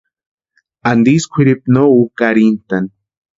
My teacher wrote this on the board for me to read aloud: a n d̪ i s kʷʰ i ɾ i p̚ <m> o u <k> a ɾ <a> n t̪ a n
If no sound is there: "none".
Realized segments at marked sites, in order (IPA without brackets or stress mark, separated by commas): n, k, i